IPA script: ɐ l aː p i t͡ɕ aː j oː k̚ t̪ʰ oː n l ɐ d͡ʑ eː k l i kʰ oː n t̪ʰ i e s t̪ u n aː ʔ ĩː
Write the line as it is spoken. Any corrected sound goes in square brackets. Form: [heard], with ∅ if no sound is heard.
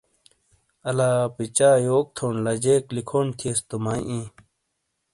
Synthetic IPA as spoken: ɐ l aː p i t͡ɕ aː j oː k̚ t̪ʰ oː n l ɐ d͡ʑ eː k l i kʰ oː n t̪ʰ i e s t̪ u [m] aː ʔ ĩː